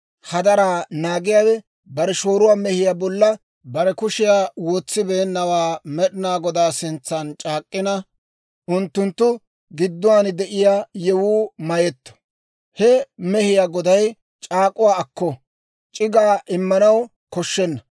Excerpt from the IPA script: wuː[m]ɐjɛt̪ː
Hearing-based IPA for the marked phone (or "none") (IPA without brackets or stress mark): m